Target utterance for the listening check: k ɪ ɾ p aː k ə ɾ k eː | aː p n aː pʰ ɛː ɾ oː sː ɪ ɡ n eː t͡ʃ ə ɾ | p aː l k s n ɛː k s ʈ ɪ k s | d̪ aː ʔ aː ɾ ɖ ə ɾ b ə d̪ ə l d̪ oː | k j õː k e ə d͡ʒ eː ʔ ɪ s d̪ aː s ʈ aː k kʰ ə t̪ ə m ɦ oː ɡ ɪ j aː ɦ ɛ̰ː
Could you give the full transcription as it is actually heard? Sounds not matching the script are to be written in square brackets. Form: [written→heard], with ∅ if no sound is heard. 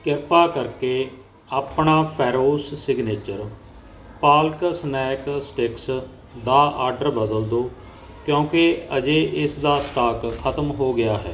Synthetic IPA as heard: k ɪ ɾ p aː k ə ɾ k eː | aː p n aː pʰ ɛː ɾ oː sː ɪ ɡ n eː t͡ʃ ə ɾ | p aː l k s n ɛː k s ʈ ɪ k s | d̪ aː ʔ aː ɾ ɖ ə ɾ b ə d̪ ə l d̪ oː | k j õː k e ə d͡ʒ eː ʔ ɪ s d̪ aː s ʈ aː k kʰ ə t̪ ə m ɦ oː ɡ ɪ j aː ɦ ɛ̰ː